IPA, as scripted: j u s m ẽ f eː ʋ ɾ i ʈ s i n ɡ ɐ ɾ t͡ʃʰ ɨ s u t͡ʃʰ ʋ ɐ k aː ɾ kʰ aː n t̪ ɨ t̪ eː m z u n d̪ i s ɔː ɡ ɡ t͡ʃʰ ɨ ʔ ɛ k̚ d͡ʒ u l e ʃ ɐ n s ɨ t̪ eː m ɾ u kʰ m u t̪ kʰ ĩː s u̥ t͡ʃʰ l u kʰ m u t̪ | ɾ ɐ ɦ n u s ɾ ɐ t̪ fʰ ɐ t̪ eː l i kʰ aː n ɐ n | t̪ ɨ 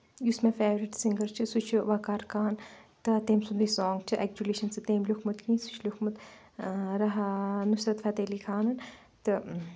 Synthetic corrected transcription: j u s m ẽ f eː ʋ ɾ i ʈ s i ŋ ɡ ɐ ɾ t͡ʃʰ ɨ s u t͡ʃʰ ʋ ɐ k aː ɾ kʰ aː n t̪ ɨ t̪ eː m s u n d̪ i s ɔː ŋ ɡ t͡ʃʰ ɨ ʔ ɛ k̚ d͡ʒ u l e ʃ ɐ n s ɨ t̪ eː m l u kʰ m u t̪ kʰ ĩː s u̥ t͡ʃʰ l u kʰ m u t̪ | ɾ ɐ ɦ n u s ɾ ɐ t̪ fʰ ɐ t̪ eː l i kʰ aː n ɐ n | t̪ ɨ